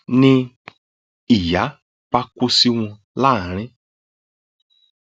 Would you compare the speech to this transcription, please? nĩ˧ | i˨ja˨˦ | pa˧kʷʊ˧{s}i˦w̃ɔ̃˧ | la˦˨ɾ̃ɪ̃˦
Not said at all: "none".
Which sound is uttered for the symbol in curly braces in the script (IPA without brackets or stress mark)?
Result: s